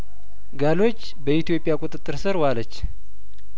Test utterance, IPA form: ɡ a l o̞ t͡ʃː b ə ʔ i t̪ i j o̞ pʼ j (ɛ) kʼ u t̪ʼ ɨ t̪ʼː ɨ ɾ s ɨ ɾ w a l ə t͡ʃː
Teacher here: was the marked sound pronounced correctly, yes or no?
no